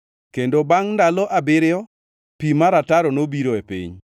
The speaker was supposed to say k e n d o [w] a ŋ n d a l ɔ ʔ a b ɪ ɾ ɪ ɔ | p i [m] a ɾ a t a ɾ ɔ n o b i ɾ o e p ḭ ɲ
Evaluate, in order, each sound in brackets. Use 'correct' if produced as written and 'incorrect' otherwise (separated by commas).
incorrect, correct